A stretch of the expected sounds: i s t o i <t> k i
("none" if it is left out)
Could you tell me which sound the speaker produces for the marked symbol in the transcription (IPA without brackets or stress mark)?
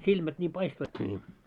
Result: t